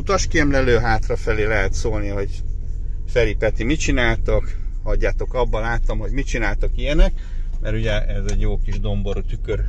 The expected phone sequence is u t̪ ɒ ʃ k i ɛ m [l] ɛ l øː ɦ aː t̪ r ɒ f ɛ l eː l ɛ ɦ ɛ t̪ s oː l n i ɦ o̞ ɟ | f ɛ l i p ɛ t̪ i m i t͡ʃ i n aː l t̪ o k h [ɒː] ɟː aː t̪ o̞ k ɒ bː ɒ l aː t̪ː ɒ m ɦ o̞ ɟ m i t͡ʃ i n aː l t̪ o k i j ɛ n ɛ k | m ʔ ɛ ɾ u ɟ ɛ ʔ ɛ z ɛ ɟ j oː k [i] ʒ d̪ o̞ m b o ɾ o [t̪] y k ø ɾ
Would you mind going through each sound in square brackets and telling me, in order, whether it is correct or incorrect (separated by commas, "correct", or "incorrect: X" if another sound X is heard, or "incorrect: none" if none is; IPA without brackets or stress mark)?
correct, incorrect: ɒ, correct, correct